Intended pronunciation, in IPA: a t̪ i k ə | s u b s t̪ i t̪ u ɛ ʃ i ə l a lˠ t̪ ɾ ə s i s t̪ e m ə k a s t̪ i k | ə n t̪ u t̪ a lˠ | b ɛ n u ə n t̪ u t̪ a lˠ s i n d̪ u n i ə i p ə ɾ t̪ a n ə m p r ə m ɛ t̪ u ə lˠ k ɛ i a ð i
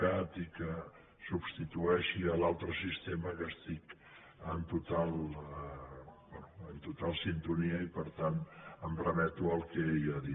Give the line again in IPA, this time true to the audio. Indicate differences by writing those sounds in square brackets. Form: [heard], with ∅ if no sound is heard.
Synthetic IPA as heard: a t̪ i k ə | s u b s t̪ i t̪ u ɛ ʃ i ə l a lˠ t̪ ɾ ə s i s t̪ e m ə k [ə] s t̪ i k | ə n t̪ u t̪ a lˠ | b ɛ n u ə n t̪ u t̪ a lˠ s i n [t̪] u n i ə i p ə ɾ t̪ a n ə m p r ə m ɛ t̪ u ə lˠ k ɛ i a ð i